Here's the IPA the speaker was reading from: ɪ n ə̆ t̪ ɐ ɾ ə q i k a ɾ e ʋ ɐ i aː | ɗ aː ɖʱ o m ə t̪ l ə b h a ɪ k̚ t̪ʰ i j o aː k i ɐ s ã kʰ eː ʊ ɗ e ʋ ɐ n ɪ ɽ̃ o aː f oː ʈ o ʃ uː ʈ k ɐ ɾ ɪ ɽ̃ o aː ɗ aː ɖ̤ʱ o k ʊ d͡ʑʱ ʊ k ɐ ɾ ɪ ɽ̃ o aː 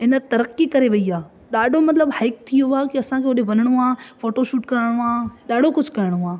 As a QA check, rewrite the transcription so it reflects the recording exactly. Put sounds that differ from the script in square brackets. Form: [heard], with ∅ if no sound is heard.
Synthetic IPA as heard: ɪ n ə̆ t̪ ɐ ɾ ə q i k [ɐ] ɾ e ʋ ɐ i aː | ɗ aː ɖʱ o m [ɐ] t̪ l ə b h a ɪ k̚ t̪ʰ i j o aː k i ɐ s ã kʰ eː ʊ ɗ e ʋ ɐ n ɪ ɽ̃ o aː f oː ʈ o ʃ uː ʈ k ɐ ɾ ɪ ɽ̃ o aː ɗ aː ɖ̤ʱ o k ʊ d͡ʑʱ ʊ k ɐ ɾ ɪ ɽ̃ o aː